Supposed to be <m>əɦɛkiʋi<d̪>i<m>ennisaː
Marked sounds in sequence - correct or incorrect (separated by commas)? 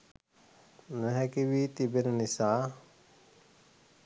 incorrect, incorrect, incorrect